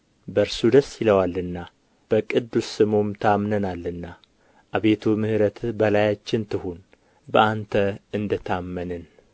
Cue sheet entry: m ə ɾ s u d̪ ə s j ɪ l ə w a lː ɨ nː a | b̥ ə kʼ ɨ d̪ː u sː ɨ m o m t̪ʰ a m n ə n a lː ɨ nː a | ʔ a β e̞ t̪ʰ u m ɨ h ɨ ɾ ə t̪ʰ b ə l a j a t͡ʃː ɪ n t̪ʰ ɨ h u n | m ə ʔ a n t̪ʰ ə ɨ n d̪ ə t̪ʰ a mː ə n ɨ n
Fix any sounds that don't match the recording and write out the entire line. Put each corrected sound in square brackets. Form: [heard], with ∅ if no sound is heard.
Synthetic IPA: [b] ə ɾ s u d̪ ə s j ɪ l ə w a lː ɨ nː a | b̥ ə kʼ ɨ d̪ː u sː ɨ m o m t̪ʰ a m n ə n a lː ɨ nː a | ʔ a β e̞ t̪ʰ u m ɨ h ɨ ɾ ə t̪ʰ b ə l a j a t͡ʃː ɪ n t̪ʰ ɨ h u n | [b] ə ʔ a n t̪ʰ ə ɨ n d̪ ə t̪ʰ a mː ə n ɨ n